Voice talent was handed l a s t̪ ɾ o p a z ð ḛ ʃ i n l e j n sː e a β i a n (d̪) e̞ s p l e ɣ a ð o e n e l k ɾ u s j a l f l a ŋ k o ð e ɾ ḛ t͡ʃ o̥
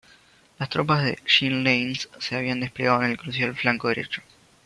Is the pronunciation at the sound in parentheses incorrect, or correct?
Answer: correct